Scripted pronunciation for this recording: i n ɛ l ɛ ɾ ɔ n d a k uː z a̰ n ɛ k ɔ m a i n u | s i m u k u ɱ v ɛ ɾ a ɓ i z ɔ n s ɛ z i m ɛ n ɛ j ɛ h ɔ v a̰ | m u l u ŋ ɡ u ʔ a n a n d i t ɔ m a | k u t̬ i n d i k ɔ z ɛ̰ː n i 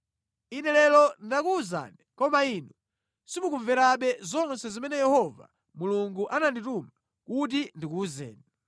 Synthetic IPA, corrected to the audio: i n ɛ l ɛ l ɔ n d a k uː z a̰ n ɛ k ɔ m a i n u | s i m u k u ɱ v ɛ ɾ a ɓ ɛ z ɔ n s ɛ z i m ɛ n ɛ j ɛ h ɔ v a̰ | m u l u ŋ ɡ u ʔ a n a n d i t u m a | k u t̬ i n d i k u z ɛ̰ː n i